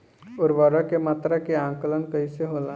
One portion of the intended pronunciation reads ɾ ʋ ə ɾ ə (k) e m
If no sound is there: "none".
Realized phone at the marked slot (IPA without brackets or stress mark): k